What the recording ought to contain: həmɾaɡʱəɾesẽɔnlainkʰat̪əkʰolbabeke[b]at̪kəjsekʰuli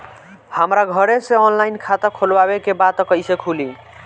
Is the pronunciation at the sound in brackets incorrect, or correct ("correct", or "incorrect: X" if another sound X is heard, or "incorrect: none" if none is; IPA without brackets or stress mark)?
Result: correct